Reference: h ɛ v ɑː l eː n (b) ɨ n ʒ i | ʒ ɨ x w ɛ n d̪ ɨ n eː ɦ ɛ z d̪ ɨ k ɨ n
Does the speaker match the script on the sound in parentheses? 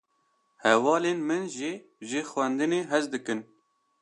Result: no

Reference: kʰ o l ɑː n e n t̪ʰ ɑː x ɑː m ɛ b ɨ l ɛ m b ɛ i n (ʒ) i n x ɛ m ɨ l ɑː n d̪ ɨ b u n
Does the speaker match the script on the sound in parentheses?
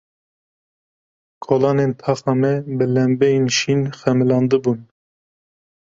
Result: no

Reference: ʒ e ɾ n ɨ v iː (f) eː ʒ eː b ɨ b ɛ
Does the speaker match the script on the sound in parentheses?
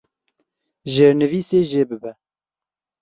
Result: no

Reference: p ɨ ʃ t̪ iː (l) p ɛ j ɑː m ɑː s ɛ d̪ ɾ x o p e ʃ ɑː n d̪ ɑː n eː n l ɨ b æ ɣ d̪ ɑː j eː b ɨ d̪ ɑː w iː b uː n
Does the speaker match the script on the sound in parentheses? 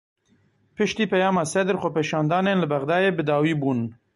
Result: no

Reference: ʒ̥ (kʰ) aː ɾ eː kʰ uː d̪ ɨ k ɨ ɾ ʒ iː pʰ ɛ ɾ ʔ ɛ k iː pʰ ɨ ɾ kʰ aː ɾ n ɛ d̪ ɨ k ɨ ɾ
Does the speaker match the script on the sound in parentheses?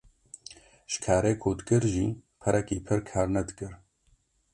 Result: yes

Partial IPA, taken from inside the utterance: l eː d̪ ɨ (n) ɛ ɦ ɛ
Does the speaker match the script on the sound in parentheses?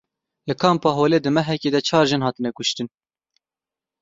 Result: no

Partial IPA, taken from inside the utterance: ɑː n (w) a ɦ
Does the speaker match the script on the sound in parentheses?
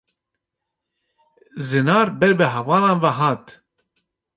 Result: no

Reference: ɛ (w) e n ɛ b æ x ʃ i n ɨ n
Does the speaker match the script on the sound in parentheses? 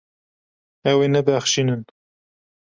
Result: yes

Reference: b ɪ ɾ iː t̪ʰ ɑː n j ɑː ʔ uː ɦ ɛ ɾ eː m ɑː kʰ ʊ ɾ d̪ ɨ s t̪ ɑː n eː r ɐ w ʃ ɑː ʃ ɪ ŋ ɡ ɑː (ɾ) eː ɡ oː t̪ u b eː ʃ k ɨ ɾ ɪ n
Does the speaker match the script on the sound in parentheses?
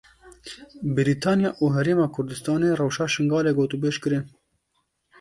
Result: no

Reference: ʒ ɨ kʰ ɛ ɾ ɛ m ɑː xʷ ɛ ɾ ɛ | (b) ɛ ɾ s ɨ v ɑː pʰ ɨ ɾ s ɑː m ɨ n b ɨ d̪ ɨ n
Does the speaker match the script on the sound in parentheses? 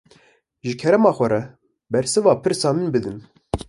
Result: yes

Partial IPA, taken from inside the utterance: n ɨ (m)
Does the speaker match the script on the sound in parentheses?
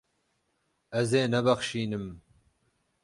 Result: yes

